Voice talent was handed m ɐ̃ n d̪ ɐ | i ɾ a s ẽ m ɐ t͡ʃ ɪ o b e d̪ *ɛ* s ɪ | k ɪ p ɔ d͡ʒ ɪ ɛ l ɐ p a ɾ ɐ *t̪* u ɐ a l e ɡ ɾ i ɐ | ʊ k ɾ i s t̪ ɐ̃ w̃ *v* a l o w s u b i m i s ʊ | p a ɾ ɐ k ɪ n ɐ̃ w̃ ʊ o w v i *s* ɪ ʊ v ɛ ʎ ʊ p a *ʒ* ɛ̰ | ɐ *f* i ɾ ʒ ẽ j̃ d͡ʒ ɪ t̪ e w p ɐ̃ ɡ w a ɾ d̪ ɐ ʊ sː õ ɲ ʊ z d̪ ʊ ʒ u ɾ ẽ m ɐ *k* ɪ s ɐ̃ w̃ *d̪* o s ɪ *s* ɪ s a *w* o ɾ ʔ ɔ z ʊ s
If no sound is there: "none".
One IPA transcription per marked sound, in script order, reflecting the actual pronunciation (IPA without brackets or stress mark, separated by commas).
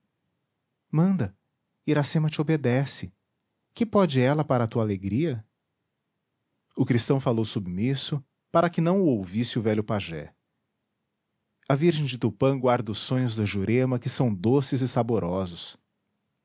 ɛ, t̪, f, s, ʒ, v, k, d̪, z, b